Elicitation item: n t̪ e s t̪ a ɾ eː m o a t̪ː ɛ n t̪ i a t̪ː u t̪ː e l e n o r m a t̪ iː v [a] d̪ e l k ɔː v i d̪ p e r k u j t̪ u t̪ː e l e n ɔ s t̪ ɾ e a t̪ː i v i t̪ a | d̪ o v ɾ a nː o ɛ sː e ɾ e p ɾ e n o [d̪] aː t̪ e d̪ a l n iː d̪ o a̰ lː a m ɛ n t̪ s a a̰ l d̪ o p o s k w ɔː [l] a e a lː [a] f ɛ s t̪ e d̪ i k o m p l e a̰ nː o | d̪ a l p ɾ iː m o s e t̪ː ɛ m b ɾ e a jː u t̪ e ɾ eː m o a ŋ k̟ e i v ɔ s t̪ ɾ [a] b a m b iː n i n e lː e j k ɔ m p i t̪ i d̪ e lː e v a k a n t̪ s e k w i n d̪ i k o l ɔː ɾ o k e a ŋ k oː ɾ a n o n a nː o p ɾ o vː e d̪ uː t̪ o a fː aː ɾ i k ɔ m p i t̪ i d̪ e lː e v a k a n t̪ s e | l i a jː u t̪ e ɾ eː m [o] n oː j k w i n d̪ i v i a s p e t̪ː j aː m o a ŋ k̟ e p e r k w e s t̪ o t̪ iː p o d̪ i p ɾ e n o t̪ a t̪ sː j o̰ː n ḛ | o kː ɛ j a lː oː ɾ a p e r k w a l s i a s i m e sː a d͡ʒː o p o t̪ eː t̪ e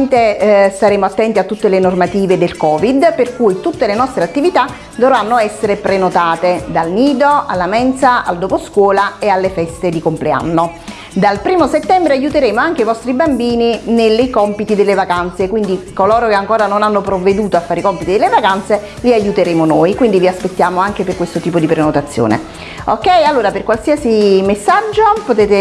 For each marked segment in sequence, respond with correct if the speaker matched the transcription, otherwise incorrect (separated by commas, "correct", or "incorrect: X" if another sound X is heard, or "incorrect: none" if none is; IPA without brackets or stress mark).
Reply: incorrect: e, incorrect: t̪, correct, incorrect: e, incorrect: i, correct